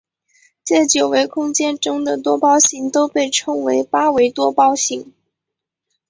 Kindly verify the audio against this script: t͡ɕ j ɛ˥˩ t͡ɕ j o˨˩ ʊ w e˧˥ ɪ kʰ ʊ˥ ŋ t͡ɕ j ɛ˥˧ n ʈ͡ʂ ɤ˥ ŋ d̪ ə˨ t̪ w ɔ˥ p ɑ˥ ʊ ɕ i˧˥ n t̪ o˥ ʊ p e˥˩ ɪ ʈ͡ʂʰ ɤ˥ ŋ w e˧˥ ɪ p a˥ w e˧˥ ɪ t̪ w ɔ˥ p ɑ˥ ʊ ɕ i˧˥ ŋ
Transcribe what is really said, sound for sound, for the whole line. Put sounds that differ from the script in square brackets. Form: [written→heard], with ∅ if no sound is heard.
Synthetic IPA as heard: t͡ɕ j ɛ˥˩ t͡ɕ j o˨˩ ʊ w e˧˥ ɪ kʰ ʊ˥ ŋ t͡ɕ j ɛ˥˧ n ʈ͡ʂ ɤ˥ ŋ d̪ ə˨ t̪ w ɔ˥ p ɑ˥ ʊ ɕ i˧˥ [n→ŋ] t̪ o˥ ʊ p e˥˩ ɪ ʈ͡ʂʰ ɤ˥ ŋ w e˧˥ ɪ p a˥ w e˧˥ ɪ t̪ w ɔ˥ p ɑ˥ ʊ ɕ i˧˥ ŋ